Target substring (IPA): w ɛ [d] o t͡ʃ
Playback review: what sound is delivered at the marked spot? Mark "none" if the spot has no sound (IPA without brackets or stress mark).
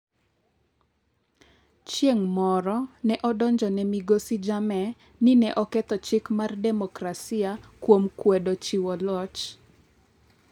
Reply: d